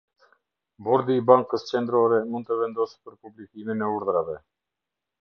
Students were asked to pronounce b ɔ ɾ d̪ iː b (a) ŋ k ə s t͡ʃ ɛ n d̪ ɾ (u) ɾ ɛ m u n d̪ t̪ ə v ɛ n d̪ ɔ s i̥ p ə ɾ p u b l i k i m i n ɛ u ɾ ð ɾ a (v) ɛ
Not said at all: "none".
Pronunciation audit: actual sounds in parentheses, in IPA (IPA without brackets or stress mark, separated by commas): a, ɔ, v